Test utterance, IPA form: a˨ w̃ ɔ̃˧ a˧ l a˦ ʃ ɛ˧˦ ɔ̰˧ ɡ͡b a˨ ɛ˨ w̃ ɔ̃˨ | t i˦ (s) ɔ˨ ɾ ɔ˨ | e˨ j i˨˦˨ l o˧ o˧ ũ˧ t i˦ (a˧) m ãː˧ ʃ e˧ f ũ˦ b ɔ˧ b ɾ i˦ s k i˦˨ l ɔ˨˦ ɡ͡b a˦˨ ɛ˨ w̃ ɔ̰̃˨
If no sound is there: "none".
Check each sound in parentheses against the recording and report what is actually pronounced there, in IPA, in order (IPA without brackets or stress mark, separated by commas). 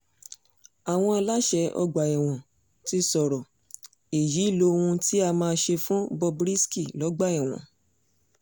s, a˧